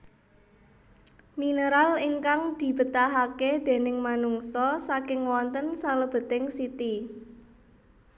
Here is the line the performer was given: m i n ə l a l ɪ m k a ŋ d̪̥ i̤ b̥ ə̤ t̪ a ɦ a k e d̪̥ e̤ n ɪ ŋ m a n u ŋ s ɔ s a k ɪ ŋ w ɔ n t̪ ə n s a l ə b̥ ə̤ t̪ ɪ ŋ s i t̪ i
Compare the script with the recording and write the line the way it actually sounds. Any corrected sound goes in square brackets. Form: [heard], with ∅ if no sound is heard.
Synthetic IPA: m i n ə [ɾ] a l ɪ [ŋ] k a ŋ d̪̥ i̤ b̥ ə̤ t̪ a ɦ a k e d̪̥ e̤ n ɪ ŋ m a n u ŋ s ɔ s a k ɪ ŋ w ɔ n t̪ ə n s a l ə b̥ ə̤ t̪ ɪ ŋ s i t̪ i